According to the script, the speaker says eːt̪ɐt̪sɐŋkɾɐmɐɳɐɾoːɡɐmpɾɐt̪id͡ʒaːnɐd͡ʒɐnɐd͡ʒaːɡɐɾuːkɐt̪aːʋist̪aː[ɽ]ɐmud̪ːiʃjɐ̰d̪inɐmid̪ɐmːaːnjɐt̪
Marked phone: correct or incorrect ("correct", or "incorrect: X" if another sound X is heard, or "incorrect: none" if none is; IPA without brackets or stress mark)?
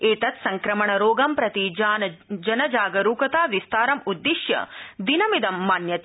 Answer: incorrect: ɾ